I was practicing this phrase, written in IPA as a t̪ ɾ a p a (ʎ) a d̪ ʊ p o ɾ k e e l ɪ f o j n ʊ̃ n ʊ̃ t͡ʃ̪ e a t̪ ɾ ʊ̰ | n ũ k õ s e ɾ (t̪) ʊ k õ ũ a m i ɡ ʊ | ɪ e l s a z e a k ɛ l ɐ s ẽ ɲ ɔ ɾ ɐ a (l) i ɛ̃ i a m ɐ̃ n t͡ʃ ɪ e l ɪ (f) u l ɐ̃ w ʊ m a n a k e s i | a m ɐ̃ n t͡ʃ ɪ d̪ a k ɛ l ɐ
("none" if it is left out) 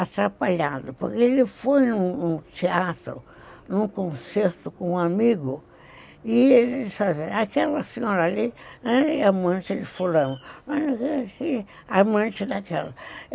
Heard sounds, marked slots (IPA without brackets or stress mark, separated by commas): ʎ, t̪, l, f